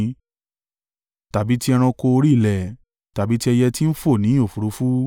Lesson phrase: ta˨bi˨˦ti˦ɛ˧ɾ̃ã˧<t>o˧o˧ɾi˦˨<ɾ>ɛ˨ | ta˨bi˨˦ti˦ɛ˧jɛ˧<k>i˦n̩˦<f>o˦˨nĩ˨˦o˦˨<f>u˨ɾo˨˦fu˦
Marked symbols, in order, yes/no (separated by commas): no, no, no, yes, yes